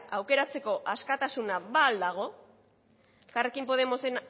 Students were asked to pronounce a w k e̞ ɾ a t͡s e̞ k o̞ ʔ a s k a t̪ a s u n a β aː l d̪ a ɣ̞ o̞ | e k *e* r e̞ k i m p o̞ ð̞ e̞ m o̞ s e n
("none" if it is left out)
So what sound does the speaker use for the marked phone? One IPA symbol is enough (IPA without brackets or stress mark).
a